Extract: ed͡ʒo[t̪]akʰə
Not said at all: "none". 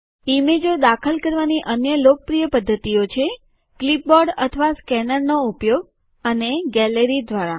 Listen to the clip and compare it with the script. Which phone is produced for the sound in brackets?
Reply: d̪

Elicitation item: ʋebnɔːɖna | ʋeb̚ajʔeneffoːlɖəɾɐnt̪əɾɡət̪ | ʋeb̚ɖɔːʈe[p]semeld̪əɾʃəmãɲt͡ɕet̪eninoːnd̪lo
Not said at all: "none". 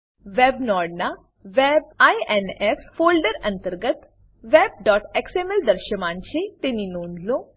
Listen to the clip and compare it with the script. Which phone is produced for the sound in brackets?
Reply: k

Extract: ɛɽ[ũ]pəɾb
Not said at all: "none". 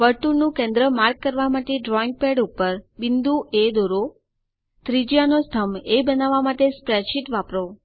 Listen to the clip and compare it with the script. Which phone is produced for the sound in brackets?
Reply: u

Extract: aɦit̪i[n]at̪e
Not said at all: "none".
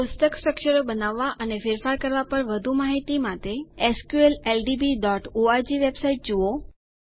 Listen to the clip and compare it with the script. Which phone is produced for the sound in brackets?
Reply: m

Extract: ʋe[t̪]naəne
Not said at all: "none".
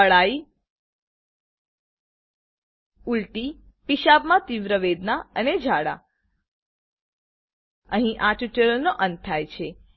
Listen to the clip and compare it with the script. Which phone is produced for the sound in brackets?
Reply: d̪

